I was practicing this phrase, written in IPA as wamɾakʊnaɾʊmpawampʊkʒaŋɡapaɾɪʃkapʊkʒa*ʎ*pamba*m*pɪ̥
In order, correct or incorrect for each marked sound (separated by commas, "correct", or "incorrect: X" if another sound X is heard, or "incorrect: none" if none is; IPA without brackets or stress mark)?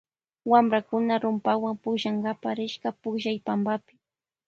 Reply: incorrect: j, incorrect: none